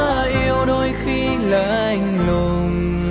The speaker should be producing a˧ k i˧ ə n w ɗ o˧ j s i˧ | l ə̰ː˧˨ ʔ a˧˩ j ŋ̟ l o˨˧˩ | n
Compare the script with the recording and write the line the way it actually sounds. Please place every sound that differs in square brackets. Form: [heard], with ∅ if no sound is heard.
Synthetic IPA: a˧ [ʔ] i˧ ə [∅] w ɗ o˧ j [x] i˧ | l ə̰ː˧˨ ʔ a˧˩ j ŋ̟ l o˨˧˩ | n